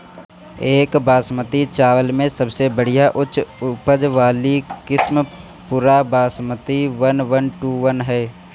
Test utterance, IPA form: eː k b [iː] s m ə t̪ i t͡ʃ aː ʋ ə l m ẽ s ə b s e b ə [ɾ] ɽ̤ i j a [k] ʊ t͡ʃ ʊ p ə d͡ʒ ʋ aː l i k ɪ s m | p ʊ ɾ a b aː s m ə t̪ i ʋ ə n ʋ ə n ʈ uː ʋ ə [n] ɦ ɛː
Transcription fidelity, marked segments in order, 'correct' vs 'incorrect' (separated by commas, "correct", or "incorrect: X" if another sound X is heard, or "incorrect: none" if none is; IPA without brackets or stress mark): incorrect: aː, incorrect: none, incorrect: ʔ, correct